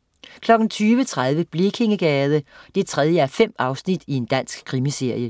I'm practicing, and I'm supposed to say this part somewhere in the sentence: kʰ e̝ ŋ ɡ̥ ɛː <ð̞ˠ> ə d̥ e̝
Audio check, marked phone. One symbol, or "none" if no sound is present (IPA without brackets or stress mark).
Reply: ð̞ˠ